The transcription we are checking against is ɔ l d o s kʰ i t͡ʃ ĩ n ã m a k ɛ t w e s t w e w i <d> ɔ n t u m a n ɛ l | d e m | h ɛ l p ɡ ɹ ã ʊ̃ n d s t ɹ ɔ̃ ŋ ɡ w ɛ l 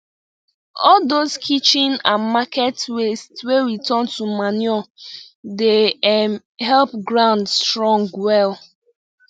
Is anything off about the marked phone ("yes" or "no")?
yes